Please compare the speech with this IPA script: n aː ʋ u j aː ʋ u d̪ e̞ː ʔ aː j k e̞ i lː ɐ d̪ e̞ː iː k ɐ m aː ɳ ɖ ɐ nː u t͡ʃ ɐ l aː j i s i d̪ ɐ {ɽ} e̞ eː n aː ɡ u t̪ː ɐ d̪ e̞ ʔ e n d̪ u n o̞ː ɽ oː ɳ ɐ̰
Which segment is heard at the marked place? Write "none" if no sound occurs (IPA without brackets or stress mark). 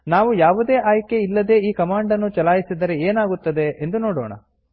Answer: ɾ